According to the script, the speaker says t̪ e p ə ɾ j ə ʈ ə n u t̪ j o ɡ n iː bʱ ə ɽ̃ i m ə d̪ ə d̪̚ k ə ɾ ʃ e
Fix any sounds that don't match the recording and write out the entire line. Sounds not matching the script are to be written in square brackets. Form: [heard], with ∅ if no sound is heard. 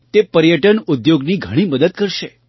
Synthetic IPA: t̪ e p ə ɾ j ə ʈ ə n u [d̪] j o ɡ n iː [ɡʱ] ə ɽ̃ i m ə d̪ ə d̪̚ k ə ɾ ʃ e